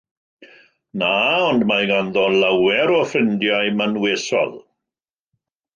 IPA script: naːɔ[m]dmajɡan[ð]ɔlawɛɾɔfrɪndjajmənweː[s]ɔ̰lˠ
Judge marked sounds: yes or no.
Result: no, yes, yes

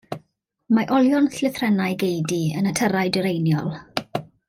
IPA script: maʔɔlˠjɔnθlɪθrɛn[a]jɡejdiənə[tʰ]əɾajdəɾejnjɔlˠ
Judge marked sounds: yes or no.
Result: yes, yes

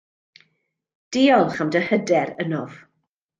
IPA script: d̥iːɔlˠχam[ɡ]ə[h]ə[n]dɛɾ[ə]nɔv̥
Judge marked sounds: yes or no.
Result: no, yes, no, yes

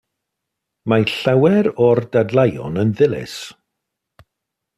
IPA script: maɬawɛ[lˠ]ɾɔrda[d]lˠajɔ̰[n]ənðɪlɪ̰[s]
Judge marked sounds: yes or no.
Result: no, yes, yes, yes

